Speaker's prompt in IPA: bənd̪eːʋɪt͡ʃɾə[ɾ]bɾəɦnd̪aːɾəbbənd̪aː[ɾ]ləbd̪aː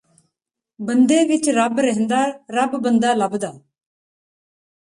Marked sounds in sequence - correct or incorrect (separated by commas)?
incorrect, incorrect